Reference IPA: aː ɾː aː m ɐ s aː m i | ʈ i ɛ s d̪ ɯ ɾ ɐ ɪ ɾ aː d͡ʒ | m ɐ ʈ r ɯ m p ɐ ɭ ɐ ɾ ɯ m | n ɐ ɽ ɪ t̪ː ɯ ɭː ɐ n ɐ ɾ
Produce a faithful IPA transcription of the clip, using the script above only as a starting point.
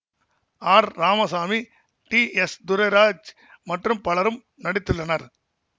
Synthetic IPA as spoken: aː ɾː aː m ɐ s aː m i | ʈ i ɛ s d̪ ʊ ɾ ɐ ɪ ɾ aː d͡ʒ | m ɐ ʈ r ɯ m p ɐ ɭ ɐ ɾ ɯ m | n ɐ ɽ ɪ t̪ː ɯ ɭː ɐ n ɐ ɾ